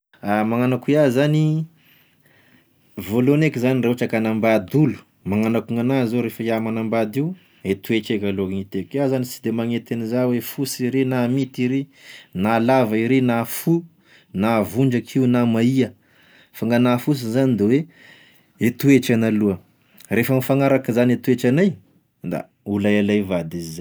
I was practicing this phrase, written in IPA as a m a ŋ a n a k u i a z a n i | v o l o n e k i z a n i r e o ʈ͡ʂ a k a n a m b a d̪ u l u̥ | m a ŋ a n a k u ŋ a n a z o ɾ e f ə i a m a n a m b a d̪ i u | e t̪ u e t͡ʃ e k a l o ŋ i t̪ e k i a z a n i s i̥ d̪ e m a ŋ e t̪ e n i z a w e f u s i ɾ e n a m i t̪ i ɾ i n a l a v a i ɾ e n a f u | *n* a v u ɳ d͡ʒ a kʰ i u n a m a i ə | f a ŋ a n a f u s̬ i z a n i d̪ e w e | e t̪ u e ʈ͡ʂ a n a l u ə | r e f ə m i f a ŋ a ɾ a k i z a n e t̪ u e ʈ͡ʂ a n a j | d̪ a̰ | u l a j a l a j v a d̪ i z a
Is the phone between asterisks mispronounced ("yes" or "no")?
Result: no